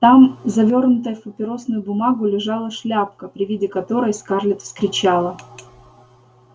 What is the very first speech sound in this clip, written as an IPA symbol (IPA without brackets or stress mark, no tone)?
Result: t̪